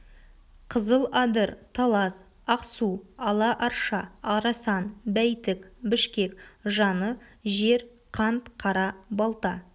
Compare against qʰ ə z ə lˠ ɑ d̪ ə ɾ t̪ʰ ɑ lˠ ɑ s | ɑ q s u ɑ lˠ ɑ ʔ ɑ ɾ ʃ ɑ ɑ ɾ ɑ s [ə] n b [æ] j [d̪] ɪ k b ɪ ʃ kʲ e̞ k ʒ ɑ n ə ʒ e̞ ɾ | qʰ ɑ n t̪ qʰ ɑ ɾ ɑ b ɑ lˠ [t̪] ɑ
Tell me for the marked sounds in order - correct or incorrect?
incorrect, correct, incorrect, correct

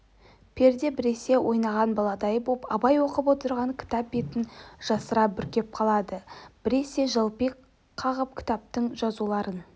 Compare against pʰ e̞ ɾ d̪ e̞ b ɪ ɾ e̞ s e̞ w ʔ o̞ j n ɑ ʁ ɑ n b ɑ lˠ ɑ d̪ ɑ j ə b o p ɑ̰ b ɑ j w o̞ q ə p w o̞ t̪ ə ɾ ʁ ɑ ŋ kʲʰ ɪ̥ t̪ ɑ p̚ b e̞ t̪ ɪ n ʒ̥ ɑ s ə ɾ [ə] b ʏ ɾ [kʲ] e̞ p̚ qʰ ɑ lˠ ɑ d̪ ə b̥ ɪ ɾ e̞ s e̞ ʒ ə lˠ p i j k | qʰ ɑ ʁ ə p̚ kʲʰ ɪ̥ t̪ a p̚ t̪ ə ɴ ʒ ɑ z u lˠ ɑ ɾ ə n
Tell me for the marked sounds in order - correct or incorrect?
incorrect, correct

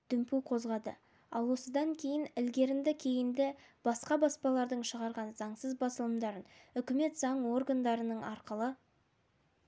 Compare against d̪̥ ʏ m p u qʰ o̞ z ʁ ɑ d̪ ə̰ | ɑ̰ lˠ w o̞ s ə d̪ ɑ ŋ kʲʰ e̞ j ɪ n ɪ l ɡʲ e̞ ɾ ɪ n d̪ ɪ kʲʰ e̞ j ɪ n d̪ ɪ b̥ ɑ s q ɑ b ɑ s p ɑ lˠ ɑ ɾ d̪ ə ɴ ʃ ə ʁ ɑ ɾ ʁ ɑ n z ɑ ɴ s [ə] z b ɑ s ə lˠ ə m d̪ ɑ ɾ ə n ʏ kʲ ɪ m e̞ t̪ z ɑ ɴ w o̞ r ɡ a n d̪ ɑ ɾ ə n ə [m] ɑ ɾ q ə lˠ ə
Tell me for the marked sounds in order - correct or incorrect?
correct, incorrect

